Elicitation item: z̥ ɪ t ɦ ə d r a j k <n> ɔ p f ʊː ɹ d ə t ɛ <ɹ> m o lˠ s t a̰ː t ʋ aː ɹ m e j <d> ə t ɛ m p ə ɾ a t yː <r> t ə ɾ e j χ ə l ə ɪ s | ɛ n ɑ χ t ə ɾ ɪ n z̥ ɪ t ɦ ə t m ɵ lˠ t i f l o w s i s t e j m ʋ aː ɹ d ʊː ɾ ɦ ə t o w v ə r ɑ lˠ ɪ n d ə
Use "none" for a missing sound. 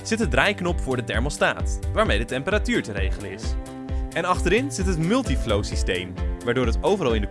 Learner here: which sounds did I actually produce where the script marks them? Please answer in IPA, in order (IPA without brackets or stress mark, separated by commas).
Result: n, ɹ, d, ɹ